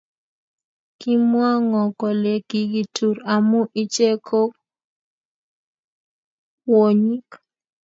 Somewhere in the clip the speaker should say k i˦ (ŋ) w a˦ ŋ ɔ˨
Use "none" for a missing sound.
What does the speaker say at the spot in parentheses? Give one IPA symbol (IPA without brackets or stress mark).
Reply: m